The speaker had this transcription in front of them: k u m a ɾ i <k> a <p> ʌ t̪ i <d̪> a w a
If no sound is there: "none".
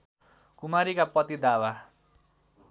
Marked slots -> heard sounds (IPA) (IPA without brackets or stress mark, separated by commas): k, p, d̪